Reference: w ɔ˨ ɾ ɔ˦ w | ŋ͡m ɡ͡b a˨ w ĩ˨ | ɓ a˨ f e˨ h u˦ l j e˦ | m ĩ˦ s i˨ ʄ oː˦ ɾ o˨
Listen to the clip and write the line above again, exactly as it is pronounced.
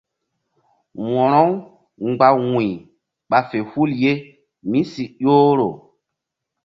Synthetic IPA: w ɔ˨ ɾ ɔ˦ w | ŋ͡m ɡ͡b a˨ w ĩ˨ | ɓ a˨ f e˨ h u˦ l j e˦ | m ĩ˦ s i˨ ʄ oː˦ ɾ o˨